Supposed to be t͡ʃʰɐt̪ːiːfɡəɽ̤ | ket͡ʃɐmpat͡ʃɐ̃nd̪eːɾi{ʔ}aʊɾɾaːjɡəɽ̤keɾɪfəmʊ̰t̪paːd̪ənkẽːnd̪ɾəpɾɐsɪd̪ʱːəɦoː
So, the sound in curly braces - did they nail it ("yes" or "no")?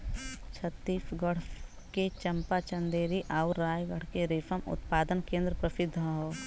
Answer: yes